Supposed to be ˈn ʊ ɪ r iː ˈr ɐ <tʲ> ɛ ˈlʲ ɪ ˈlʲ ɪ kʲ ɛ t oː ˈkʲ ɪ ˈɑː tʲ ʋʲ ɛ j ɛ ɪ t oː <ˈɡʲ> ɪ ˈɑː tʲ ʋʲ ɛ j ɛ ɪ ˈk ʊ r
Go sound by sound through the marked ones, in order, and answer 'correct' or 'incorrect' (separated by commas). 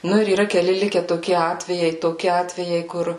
incorrect, incorrect